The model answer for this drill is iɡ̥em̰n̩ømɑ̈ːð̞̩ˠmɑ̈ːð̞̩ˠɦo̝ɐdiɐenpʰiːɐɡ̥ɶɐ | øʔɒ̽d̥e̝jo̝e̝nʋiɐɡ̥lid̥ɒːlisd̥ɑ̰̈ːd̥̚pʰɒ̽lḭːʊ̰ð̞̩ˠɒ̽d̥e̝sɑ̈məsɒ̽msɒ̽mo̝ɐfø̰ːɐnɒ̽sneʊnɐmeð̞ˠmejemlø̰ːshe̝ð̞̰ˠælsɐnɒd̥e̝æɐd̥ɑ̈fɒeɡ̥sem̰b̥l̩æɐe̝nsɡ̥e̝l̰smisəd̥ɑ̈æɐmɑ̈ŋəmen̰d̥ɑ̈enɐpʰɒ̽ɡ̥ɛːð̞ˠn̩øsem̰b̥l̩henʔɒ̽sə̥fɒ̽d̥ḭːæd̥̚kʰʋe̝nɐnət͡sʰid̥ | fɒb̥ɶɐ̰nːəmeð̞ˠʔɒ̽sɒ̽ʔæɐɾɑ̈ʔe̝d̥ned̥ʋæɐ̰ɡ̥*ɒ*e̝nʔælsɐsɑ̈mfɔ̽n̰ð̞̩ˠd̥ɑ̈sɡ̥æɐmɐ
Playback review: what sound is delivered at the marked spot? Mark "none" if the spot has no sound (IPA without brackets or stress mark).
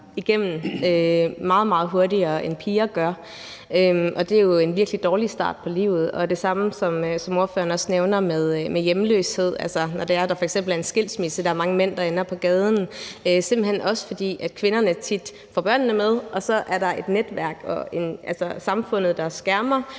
ɒ